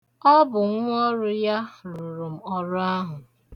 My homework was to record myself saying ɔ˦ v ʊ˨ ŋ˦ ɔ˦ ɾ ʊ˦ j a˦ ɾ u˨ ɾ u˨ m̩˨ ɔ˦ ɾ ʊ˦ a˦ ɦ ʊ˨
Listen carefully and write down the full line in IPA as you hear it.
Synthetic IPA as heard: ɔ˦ b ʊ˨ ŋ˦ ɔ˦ ɾ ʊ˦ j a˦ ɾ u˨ ɾ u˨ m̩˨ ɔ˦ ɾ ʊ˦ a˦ ɦ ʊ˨